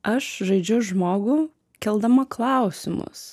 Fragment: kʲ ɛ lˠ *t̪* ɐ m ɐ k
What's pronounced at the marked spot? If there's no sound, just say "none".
d̪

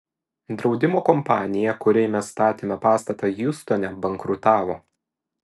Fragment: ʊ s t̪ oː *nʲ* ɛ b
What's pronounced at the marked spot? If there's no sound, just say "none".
nʲ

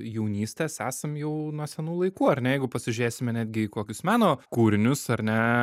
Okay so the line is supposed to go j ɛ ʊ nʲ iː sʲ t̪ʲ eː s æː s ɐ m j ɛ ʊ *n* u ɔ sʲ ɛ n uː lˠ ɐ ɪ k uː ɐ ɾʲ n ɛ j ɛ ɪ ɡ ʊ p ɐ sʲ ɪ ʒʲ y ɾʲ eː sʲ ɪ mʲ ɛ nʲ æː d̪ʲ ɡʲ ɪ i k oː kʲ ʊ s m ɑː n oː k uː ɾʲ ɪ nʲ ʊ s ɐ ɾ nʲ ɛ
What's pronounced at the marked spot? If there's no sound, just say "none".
n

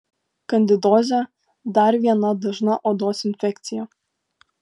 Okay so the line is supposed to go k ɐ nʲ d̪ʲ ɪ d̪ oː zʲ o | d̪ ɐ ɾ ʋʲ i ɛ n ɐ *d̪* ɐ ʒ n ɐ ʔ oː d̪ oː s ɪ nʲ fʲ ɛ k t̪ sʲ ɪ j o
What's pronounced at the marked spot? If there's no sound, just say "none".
d̪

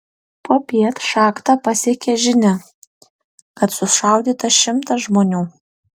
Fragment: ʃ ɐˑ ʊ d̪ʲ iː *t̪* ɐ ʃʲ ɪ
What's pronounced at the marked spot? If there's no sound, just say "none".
t̪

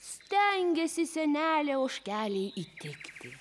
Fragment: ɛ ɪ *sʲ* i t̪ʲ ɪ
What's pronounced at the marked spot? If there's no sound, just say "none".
none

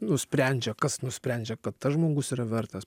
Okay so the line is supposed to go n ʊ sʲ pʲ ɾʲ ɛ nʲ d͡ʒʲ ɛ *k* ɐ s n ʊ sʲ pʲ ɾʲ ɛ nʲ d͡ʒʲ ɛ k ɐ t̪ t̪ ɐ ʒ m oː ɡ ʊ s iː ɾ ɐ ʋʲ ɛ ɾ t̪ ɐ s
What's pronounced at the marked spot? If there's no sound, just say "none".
k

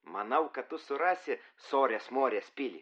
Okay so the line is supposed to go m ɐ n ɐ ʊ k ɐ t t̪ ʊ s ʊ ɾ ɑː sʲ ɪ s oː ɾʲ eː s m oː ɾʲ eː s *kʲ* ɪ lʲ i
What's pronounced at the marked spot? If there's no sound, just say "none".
pʲ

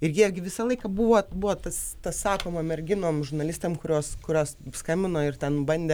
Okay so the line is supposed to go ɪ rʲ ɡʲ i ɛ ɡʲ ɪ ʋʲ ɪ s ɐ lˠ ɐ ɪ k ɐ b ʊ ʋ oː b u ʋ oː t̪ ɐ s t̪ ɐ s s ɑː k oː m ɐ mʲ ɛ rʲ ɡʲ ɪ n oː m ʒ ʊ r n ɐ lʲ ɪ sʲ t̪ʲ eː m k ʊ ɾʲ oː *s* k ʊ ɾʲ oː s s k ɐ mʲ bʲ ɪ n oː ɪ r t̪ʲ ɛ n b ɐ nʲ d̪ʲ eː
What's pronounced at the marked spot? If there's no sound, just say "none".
s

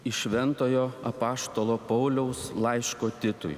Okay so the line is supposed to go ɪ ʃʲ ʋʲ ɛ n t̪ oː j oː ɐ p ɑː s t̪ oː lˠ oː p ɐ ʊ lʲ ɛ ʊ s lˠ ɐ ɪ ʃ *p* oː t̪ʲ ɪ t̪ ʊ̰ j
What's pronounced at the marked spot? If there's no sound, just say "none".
k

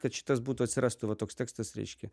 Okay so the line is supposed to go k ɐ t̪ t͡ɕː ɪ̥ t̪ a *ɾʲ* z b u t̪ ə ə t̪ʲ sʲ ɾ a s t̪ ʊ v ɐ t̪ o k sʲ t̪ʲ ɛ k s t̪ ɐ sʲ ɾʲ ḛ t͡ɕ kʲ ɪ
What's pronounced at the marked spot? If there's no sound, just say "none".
none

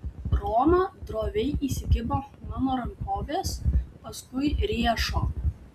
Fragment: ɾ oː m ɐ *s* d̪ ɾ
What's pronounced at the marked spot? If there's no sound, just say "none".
none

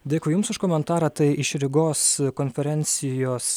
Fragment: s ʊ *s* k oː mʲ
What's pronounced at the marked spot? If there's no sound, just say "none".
ʃ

